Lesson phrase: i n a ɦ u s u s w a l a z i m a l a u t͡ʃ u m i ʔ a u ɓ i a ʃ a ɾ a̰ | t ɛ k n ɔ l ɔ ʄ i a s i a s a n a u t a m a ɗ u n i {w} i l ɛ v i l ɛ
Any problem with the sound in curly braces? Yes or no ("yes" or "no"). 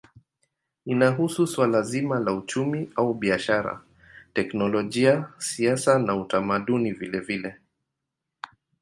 yes